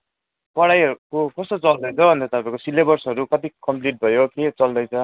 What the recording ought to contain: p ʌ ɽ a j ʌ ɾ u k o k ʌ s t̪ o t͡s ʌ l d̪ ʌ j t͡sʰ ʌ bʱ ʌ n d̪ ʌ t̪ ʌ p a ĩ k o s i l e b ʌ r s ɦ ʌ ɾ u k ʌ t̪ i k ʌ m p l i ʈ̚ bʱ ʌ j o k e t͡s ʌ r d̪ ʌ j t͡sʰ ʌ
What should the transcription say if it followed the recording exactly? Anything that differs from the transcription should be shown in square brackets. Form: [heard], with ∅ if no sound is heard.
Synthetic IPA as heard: p ʌ ɽ a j ʌ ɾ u k o k ʌ s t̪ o t͡s ʌ l d̪ ʌ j t͡sʰ ʌ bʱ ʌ n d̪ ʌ t̪ ʌ p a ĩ k o s i l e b ʌ r s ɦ ʌ ɾ u k ʌ t̪ i k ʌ m p l i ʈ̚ bʱ ʌ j o k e t͡s ʌ [l] d̪ ʌ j t͡sʰ ʌ